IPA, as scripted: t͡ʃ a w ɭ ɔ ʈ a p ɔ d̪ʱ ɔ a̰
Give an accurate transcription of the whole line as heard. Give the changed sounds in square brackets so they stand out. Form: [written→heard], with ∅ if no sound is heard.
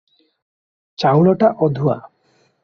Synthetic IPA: t͡ʃ a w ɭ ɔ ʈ a [p→ʔ] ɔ d̪ʱ [ɔ→u] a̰